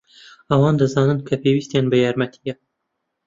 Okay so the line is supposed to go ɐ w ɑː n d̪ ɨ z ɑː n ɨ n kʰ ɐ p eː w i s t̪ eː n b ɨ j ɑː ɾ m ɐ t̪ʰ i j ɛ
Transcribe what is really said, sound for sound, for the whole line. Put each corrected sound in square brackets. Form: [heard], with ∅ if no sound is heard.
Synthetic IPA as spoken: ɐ w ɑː n d̪ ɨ z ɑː n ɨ n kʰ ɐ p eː w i s t̪ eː n b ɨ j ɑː ɾ m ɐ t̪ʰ i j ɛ

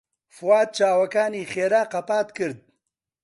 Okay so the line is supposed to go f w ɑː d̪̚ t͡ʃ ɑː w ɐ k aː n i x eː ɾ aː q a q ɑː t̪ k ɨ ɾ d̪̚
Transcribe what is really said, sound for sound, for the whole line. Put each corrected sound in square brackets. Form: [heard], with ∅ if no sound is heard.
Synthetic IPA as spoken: f w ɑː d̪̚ t͡ʃ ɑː w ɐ k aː n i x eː ɾ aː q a [p] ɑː t̪ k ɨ ɾ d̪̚

